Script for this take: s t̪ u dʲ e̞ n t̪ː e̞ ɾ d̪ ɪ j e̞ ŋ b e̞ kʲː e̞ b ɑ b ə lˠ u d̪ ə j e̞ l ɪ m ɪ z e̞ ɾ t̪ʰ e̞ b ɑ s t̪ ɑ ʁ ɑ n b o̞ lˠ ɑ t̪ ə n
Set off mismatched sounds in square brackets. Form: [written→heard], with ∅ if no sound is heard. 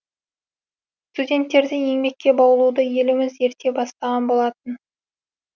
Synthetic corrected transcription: s t̪ u dʲ e̞ n t̪ː e̞ ɾ d̪ ɪ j e̞ ŋ b e̞ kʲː e̞ b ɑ [b→w] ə lˠ u d̪ ə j e̞ l ɪ m ɪ z e̞ ɾ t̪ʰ e̞ b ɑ s t̪ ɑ ʁ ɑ n b o̞ lˠ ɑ t̪ ə n

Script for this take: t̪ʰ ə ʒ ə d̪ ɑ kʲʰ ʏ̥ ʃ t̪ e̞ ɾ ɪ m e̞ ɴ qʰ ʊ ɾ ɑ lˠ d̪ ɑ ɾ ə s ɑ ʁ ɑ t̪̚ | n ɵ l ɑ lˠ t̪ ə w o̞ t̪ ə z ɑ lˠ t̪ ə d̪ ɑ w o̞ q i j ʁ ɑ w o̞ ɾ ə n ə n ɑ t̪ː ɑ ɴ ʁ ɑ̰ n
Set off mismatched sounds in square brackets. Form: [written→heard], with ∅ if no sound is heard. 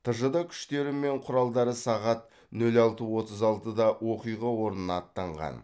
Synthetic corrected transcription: t̪ʰ ə ʒ ə d̪ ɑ kʲʰ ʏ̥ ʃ t̪ e̞ ɾ ɪ m e̞ ɴ qʰ ʊ ɾ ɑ lˠ d̪ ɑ ɾ ə s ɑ ʁ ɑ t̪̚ | n ɵ l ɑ lˠ t̪ ə w o̞ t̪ ə z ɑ lˠ t̪ ə d̪ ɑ w o̞ q i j ʁ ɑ w o̞ ɾ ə n ə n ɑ t̪ː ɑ ɴ ʁ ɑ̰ n

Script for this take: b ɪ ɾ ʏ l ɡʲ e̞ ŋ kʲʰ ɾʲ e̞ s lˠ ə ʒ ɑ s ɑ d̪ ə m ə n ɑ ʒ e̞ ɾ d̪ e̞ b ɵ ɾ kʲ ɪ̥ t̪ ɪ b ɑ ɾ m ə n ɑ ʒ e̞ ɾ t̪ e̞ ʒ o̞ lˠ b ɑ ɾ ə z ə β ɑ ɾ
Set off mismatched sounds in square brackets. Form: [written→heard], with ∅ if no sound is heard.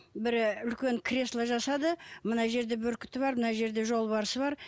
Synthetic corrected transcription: b ɪ ɾ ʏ l [ɡʲ→kʲ] e̞ ŋ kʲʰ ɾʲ e̞ s lˠ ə ʒ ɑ s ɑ d̪ ə m ə n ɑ ʒ e̞ ɾ d̪ e̞ b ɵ ɾ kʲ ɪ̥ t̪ ɪ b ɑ ɾ m ə n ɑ ʒ e̞ ɾ [t̪→d̪] e̞ ʒ o̞ lˠ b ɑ ɾ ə [z→s] ə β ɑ ɾ

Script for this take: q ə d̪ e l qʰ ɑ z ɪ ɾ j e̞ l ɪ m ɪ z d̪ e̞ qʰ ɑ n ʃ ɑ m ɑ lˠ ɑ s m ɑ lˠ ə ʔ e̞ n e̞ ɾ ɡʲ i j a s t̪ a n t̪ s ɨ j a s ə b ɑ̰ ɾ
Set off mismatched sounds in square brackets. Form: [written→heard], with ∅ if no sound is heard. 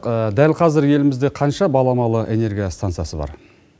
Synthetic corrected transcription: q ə d̪ [e→æ] l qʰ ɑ z ɪ ɾ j e̞ l ɪ m ɪ z d̪ e̞ qʰ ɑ n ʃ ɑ [m→b] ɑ lˠ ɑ [s→∅] m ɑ lˠ ə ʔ e̞ n e̞ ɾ ɡʲ i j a s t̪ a n t̪ s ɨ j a s ə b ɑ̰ ɾ

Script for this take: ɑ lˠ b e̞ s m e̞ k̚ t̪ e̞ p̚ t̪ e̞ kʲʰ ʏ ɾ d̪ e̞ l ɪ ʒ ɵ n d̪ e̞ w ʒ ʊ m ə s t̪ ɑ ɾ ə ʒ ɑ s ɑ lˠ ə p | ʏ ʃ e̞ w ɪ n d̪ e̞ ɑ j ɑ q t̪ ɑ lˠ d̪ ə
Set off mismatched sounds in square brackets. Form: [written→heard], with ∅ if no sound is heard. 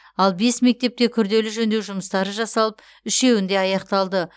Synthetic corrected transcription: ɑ lˠ b e̞ s m e̞ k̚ t̪ e̞ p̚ t̪ e̞ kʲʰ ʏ ɾ d̪ e̞ l ɪ ʒ ɵ n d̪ e̞ w ʒ ʊ m ə s t̪ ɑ ɾ ə ʒ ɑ s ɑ lˠ ə p | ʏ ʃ e̞ w ɪ n d̪ e̞ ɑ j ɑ q t̪ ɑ lˠ d̪ ə

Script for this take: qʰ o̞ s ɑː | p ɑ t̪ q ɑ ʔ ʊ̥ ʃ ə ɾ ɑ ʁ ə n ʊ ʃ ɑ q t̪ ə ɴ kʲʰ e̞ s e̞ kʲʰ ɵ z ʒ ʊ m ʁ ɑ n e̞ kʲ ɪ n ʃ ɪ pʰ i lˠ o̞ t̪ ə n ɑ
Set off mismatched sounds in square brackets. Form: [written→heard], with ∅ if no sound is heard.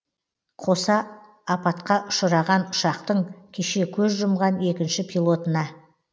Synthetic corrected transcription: qʰ o̞ s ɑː | p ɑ t̪ q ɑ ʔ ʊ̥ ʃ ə ɾ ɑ ʁ [ə→ɑ] n ʊ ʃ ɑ q t̪ ə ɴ kʲʰ e̞ [s→ʃ] e̞ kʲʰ ɵ z ʒ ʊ m ʁ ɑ n e̞ kʲ ɪ n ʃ ɪ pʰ i lˠ o̞ t̪ ə n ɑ

